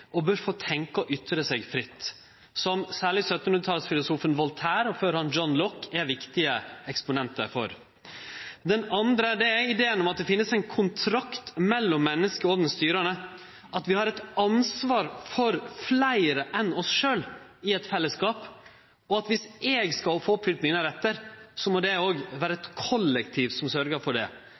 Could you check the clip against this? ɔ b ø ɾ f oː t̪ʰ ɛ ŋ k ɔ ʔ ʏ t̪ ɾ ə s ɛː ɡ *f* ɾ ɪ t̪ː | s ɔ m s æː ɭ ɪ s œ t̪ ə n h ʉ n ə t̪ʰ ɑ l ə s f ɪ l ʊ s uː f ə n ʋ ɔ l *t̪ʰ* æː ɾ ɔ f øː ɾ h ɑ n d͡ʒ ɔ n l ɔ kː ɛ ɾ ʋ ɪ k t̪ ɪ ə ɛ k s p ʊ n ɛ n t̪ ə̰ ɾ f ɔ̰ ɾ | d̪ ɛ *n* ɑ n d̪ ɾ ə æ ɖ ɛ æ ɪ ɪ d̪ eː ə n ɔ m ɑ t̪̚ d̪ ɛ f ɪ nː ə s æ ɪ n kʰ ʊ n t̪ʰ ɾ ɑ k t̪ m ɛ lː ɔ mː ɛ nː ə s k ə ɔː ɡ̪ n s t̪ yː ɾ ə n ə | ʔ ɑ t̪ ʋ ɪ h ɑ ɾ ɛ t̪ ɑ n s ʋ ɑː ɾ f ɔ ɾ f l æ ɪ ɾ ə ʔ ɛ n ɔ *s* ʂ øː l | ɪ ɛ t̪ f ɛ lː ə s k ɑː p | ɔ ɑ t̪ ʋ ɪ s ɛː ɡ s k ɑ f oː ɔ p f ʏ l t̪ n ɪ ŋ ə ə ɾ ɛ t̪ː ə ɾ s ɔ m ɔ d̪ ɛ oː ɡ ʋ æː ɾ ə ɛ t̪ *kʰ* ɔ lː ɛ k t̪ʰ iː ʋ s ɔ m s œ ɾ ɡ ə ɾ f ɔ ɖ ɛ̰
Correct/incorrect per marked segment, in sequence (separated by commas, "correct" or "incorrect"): correct, correct, correct, correct, correct